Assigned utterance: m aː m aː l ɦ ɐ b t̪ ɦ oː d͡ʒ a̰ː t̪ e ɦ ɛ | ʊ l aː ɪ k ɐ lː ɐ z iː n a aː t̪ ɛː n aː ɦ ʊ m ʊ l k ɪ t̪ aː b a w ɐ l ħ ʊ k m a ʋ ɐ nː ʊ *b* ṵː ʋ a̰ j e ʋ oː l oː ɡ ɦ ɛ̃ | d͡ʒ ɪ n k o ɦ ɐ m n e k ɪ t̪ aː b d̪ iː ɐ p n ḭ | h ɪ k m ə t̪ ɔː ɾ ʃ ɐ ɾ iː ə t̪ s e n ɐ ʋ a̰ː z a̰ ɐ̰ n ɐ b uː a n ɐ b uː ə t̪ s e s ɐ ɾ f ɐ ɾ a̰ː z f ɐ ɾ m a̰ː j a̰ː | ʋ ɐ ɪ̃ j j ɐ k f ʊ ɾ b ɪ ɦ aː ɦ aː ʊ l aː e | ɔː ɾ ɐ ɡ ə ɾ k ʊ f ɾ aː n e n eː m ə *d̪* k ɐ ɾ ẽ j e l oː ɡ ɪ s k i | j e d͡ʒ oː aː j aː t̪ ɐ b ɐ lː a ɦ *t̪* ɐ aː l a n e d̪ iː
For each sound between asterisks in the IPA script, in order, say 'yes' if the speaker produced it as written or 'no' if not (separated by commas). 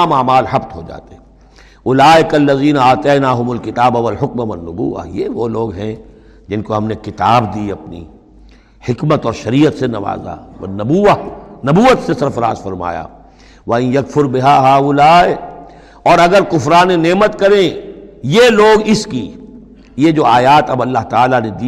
yes, no, yes